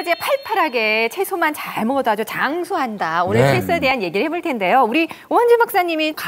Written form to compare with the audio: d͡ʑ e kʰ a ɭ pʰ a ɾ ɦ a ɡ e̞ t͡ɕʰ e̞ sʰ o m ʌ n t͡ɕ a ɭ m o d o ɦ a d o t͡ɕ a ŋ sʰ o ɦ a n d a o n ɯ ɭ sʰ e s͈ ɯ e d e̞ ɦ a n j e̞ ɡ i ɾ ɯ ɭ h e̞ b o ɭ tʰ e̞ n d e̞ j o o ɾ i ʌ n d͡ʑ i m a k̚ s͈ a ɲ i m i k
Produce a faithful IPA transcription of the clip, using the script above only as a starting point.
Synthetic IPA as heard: d͡ʑ e pʰ a ɭ pʰ a ɾ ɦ a ɡ e̞ t͡ɕʰ e̞ sʰ o m a n t͡ɕ a ɭ m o d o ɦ a d͡ʑ o t͡ɕ a ŋ sʰ o ɦ a n d a o n ɯ ɭ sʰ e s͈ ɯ e d e̞ ɦ a n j e̞ ɡ i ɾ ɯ ɭ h e̞ b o ɭ tʰ e̞ n d e̞ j o u ɾ i ʌ n d͡ʑ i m a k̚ s͈ a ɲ i m i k

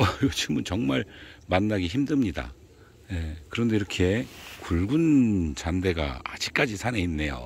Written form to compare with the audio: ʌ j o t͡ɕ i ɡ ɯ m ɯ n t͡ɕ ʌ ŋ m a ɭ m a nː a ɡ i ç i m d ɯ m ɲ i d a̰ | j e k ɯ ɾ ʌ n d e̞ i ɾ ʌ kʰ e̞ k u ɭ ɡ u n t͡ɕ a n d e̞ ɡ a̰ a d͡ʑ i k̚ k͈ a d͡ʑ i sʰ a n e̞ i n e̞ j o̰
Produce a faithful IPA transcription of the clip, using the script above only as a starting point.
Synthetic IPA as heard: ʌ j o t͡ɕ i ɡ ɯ m ɯ n t͡ɕ ʌ ŋ m a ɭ m a nː a ɡ i ç i m d ɯ m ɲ i d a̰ | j e k ɯ ɾ ʌ n d e̞ i ɾ ʌ kʰ e̞ k u ɭ ɡ u n t͡ɕ a n d e̞ ɡ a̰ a d͡ʑ i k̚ k͈ a d͡ʑ i sʰ a n e̞ i nː e̞ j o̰

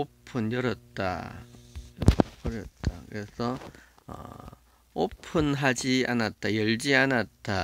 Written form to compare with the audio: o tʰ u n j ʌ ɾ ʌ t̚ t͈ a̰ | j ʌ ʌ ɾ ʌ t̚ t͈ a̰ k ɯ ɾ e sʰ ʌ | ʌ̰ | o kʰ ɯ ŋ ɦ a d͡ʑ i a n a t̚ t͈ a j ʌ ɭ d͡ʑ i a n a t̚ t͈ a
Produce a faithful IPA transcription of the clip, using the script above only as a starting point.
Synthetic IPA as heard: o pʰ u n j ʌ ɾ ʌ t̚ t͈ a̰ | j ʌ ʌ ɾ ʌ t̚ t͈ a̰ k ɯ ɾ e sʰ ʌ | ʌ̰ | o pʰ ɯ n ɦ a d͡ʑ i a n a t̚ t͈ a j ʌ ɭ d͡ʑ i a n a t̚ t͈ a

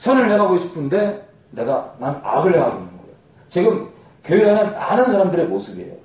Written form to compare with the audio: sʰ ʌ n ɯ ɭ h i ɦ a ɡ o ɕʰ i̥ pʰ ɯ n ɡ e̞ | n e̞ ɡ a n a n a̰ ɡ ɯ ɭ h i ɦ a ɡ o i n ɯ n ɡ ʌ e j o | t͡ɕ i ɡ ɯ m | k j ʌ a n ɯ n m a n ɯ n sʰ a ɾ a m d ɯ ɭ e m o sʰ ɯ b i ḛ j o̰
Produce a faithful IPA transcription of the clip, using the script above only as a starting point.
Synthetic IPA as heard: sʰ ʌ n ɯ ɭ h e ɦ a ɡ o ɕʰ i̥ pʰ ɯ n d e̞ | n e̞ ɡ a n a n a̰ ɡ ɯ ɭ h e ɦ a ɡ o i n ɯ n ɡ ʌ e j o | t͡ɕ i ɡ ɯ m | k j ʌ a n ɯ n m a n ɯ n sʰ a ɾ a m d ɯ ɾ e m o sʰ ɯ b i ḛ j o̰

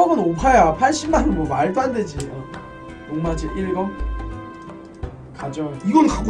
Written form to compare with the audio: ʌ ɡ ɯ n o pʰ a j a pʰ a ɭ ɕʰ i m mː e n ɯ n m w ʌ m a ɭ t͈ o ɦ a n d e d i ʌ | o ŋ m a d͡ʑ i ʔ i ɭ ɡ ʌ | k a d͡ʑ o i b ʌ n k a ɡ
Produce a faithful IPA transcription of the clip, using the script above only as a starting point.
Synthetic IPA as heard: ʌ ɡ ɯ n o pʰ a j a pʰ a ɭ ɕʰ i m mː a n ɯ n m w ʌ m a ɭ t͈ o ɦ a n d e d͡ʑ i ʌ | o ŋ m a d͡ʑ i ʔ i ɭ ɡ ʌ | k a d͡ʑ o i ɡ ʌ n k a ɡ

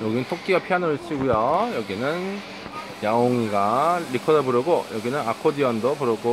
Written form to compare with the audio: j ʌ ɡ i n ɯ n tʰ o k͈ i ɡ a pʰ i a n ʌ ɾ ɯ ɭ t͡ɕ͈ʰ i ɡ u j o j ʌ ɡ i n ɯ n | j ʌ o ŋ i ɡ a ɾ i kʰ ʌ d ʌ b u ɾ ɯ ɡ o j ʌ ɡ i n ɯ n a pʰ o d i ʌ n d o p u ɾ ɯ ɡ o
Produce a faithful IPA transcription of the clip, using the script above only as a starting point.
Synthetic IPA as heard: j ʌ ɡ i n ɯ n tʰ o k͈ i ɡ a pʰ i a n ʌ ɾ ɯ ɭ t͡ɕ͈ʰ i ɡ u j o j ʌ ɡ i n ɯ n | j a o ŋ i ɡ a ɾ i kʰ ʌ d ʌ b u ɾ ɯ ɡ o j ʌ ɡ i n ɯ n a kʰ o d i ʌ n d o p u ɾ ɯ ɡ o

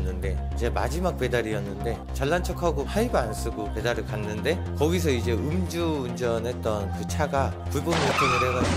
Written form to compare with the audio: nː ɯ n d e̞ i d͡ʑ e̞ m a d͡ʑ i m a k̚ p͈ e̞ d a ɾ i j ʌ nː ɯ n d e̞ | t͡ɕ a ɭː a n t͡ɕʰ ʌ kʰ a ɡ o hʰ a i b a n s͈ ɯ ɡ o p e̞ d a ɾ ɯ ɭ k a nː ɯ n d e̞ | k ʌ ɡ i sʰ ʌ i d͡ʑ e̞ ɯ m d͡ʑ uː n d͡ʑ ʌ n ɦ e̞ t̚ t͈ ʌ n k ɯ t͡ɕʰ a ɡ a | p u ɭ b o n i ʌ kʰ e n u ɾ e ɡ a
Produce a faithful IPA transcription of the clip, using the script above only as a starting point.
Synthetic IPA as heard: nː ɯ n d e̞ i d͡ʑ e̞ m a d͡ʑ i m a k̚ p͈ e̞ d a ɾ i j ʌ nː ɯ n d e̞ | t͡ɕ a ɭː a n t͡ɕʰ ʌ kʰ a ɡ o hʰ a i b a n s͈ ɯ ɡ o p e̞ d a ɾ ɯ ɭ k a nː ɯ n d e̞ | k ʌ ɡ i sʰ ʌ i d͡ʑ e̞ ɯ m d͡ʑ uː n d͡ʑ ʌ n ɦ e̞ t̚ t͈ ʌ n k ɯ t͡ɕʰ a ɡ a | p u ɭ b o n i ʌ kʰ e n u ɾ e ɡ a

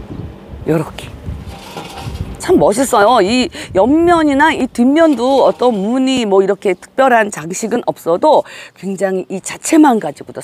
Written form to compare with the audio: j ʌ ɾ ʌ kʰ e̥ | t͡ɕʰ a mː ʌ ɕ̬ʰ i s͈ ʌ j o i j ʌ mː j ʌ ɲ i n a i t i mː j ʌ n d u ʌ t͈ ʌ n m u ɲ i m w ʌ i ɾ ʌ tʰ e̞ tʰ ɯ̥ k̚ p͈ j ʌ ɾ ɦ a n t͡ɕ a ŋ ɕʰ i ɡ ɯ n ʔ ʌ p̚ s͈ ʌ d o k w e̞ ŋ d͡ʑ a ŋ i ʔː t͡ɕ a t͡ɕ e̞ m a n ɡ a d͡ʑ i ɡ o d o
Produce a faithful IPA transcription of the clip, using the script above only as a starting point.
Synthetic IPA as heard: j ʌ ɾ ʌ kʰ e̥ | t͡ɕʰ a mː ʌ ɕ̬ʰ i s͈ ʌ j o i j ʌ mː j ʌ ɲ i n a i t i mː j ʌ n d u ʌ t͈ ʌ n m u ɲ i m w ʌ i ɾ ʌ kʰ e̞ tʰ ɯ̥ k̚ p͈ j ʌ ɾ ɦ a n t͡ɕ a ŋ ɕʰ i ɡ ɯ n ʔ ʌ p̚ s͈ ʌ d o k w e̞ ŋ d͡ʑ a ŋ i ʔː t͡ɕ a t͡ɕʰ e̞ m a n ɡ a d͡ʑ i ɡ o d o

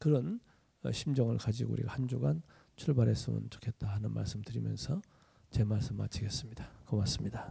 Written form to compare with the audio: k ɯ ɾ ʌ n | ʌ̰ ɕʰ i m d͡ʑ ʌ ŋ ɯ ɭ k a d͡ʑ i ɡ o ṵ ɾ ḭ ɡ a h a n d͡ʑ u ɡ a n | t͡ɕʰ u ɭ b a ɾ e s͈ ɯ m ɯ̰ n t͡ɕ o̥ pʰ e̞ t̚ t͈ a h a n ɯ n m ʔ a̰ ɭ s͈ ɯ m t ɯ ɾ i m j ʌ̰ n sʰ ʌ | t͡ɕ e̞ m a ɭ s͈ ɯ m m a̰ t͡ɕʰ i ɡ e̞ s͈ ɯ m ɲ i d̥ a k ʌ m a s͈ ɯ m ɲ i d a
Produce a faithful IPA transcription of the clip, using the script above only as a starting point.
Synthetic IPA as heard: k ɯ ɾ ʌ n | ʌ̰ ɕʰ i m d͡ʑ ʌ ŋ ɯ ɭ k a d͡ʑ i ɡ o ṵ ɾ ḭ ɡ a h a n d͡ʑ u ɡ a n | t͡ɕʰ u ɭ b a ɾ e s͈ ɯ m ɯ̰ n t͡ɕ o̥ kʰ e̞ t̚ t͈ a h a n ɯ n m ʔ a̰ ɭ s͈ ɯ m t ɯ ɾ i m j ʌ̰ n sʰ ʌ | t͡ɕ e̞ m a ɭ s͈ ɯ m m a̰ t͡ɕʰ i ɡ e̞ s͈ ɯ m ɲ i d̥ a k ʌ m a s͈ ɯ m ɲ i d a

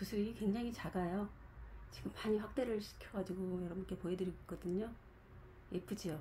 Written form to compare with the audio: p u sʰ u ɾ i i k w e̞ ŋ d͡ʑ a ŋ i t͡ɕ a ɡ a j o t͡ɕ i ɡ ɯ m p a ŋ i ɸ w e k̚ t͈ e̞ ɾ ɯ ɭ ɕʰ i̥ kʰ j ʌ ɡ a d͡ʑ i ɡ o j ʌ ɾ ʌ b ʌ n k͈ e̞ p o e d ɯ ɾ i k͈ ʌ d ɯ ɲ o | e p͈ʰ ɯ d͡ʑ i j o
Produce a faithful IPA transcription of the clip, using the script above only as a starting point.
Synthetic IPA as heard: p u sʰ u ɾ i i k w e̞ ŋ d͡ʑ a ŋ i t͡ɕ a ɡ a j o t͡ɕ i ɡ ɯ m p a ɲ i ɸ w a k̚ t͈ e̞ ɾ ɯ ɭ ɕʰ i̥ kʰ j ʌ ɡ a d͡ʑ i ɡ o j ʌ ɾ ʌ b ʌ n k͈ e̞ p o e d ɯ ɾ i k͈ ʌ d ɯ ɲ o | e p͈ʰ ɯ d͡ʑ i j o

